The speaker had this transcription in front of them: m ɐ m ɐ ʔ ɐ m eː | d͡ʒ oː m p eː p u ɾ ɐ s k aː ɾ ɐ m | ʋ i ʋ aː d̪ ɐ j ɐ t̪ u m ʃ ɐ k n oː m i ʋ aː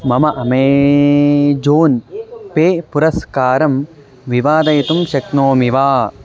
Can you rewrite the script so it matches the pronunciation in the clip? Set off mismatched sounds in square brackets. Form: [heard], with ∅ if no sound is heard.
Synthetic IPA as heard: m ɐ m ɐ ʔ ɐ m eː | d͡ʒ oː [n] p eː p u ɾ ɐ s k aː ɾ ɐ m | ʋ i ʋ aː d̪ ɐ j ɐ t̪ u m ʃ ɐ k n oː m i ʋ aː